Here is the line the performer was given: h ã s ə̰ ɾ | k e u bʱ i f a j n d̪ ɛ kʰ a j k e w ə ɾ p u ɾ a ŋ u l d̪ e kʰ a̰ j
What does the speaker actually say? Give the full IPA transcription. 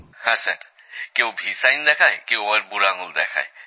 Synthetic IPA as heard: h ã s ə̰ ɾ | k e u bʱ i s a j n d̪ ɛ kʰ a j k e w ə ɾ b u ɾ a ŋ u l d̪ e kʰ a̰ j